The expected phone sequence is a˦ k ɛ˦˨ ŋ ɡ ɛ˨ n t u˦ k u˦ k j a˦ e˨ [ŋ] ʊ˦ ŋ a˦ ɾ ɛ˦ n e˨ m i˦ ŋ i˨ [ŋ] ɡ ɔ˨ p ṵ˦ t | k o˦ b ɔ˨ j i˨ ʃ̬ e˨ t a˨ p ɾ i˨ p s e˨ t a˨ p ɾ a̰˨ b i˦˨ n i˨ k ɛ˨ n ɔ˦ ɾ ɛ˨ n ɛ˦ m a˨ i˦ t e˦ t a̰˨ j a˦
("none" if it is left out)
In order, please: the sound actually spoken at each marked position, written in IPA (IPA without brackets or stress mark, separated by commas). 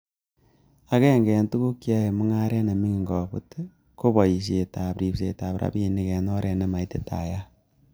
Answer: m, ŋ